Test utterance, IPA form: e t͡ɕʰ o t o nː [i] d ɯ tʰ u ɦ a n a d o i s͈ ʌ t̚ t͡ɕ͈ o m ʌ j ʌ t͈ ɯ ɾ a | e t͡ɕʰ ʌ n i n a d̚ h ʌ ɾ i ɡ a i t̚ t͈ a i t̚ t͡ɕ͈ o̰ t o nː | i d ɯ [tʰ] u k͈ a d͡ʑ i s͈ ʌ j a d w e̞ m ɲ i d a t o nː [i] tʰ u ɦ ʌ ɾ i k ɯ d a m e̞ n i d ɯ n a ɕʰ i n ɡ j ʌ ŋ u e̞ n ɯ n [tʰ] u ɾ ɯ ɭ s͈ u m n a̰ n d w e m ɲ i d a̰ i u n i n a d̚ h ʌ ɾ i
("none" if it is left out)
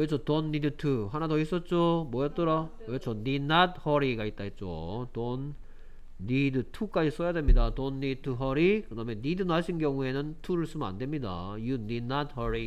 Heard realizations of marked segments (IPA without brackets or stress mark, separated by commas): i, tʰ, i, tʰ